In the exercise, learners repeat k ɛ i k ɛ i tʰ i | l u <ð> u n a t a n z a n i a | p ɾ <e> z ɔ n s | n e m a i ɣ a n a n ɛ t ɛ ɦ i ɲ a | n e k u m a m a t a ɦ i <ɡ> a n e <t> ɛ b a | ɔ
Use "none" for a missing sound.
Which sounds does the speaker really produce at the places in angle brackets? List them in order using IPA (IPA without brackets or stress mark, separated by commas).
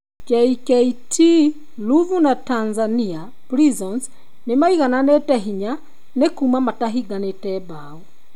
v, i, ɡ, t